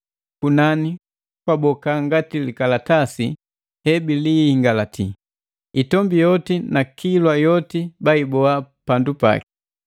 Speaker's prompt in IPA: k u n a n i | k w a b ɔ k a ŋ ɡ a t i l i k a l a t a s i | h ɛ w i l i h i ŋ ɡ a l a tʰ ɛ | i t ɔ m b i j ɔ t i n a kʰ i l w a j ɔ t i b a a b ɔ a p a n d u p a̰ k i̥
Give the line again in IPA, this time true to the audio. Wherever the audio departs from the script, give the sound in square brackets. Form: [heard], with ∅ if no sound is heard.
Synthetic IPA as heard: k u n a n i | k w a b ɔ k a ŋ ɡ a t i l i k a l a t a s i | h ɛ [b] i l i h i ŋ ɡ a l a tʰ [i] | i t ɔ m b i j ɔ t i n a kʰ i l w a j ɔ t i b a [i] b ɔ a p a n d u p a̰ k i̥